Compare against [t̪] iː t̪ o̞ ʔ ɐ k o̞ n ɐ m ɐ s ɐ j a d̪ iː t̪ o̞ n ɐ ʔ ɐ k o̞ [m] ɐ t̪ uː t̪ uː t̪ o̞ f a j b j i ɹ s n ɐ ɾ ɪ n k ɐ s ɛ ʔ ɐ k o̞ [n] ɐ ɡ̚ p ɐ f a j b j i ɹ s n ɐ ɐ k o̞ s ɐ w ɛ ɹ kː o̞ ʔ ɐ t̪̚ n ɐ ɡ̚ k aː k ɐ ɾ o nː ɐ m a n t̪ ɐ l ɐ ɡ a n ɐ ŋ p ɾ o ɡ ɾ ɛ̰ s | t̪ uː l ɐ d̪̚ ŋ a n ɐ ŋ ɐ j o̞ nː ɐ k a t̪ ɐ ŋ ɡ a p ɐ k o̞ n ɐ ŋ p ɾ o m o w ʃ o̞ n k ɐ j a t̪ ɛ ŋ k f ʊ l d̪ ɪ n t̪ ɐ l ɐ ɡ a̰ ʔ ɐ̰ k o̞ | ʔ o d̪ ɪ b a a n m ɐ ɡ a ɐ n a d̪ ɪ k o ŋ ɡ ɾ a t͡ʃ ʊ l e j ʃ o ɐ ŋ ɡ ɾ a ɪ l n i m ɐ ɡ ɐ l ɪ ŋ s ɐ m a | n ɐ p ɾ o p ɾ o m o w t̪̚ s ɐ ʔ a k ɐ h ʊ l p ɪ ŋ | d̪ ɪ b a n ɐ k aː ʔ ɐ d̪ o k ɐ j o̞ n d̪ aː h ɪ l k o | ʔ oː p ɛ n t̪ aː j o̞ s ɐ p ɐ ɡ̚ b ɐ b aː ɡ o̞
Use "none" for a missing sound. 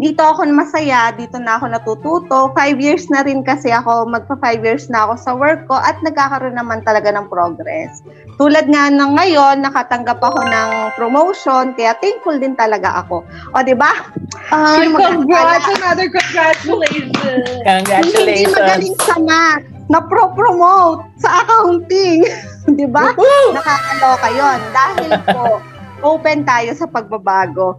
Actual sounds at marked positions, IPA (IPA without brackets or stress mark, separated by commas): d̪, n, m